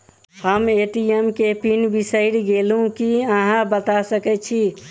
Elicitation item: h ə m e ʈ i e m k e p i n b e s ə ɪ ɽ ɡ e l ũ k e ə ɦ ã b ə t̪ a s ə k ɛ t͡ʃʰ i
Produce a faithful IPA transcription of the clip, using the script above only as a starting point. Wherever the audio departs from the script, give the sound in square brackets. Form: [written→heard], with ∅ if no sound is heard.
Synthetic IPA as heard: h ə m e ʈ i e m k e p i n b [e→i] s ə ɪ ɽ ɡ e l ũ k [e→i] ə ɦ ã b ə t̪ a s ə k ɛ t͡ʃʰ i

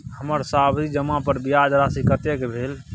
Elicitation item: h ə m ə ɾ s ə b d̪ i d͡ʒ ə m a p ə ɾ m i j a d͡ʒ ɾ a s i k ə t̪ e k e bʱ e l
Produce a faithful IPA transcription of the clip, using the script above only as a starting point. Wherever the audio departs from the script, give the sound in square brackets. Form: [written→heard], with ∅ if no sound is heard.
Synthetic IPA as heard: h ə m ə ɾ s [ə→a] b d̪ i d͡ʒ ə m a p ə ɾ [m→b] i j a d͡ʒ ɾ a s i k ə t̪ e k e bʱ e l

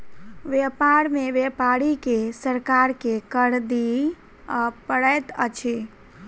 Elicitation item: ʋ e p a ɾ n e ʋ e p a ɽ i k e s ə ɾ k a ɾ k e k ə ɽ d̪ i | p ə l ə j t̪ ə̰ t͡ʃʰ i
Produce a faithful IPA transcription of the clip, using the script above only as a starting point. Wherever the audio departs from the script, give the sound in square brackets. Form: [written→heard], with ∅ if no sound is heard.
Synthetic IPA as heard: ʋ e p a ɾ [n→m] e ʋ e p a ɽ i k e s ə ɾ k a ɾ k e k ə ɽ d̪ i | p ə [l→ɽ] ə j t̪ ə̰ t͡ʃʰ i

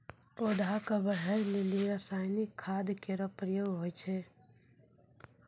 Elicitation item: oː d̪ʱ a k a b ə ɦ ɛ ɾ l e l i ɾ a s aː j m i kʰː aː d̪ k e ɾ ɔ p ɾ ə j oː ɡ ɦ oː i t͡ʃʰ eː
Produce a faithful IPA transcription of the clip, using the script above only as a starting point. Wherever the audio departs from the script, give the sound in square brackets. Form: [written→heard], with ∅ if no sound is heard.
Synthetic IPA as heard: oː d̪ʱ a k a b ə ɦ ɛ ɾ l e l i ɾ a s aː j [m→n] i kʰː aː d̪ k e ɾ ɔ p ɾ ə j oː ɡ ɦ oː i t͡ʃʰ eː

